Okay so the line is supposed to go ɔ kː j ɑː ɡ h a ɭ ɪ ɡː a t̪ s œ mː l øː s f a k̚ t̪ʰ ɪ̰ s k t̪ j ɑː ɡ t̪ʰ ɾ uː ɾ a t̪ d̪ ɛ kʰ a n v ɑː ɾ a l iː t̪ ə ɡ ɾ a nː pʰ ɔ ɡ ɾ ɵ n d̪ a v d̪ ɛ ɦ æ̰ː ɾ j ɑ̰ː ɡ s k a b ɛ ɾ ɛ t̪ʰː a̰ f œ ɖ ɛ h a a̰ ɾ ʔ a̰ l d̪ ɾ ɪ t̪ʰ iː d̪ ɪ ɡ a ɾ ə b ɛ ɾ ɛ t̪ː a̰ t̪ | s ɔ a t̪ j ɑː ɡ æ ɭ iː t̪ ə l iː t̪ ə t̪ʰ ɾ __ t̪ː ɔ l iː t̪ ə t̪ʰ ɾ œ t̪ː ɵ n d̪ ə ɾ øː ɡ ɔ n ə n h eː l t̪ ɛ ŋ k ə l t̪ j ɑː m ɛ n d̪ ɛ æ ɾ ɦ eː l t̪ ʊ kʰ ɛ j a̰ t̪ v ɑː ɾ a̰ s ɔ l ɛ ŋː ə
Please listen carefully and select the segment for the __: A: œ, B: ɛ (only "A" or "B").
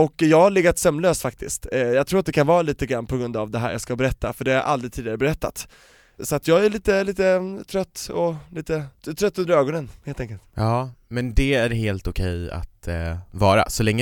A